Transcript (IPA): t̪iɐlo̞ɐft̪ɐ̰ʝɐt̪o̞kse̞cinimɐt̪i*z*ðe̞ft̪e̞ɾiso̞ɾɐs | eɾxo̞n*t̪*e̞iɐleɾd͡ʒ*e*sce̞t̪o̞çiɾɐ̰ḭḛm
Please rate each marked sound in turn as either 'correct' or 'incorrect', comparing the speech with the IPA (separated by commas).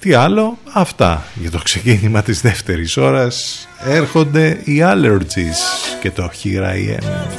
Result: correct, incorrect, incorrect